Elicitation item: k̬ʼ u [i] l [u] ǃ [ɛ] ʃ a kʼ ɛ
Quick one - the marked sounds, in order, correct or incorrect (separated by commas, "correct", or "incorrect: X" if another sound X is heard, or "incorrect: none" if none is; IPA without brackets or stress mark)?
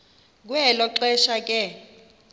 incorrect: ɛ, incorrect: ɔ, correct